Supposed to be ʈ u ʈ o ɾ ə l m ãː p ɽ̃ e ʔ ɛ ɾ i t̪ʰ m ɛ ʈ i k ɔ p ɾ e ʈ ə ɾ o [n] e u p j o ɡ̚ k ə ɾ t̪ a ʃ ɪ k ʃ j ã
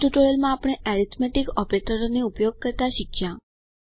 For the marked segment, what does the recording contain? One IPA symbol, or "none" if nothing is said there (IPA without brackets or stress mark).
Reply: n